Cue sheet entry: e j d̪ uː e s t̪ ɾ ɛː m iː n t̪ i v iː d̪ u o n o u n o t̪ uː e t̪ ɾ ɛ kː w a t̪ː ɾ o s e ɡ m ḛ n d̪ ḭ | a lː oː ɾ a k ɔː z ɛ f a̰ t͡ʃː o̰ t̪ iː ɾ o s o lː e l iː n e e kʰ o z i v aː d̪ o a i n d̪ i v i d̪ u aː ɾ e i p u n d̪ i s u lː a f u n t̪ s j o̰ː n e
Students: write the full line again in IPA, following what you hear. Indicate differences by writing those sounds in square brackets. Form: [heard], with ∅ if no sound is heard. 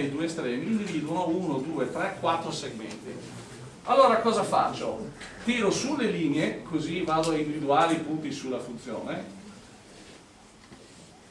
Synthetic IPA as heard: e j d̪ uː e s t̪ ɾ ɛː m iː n [d̪] i v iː d̪ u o n o u n o [d̪] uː e t̪ ɾ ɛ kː w a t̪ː ɾ o s e ɡ m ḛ n [t̪] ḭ | a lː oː ɾ a k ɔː z [a] f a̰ t͡ʃː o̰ t̪ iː ɾ o s [u] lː e l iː n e e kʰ o z i v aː d̪ o a i n d̪ i v i d̪ u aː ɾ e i p u n [t̪] i s u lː a f u n t̪ s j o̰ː n e